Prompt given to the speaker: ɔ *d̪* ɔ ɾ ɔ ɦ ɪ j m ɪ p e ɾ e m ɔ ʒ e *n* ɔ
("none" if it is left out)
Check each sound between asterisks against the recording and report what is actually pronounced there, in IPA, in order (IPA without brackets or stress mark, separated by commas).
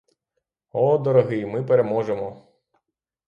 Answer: d̪, m